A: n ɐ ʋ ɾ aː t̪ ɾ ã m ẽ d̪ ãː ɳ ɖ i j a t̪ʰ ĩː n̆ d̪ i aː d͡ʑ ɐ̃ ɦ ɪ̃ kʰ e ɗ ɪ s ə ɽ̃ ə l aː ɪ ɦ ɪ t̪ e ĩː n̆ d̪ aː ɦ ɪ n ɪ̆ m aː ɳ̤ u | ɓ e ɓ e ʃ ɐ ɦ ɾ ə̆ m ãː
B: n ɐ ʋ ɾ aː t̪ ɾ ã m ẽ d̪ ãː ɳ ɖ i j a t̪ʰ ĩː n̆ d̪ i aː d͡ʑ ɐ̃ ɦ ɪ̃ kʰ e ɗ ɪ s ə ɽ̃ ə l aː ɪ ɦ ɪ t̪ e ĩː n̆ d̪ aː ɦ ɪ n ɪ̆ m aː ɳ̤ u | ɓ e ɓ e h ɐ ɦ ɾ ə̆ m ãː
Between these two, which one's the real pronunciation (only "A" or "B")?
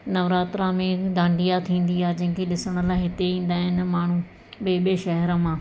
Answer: A